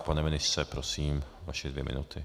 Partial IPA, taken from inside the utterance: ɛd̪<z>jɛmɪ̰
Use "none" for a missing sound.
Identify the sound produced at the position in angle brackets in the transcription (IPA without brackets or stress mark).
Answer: v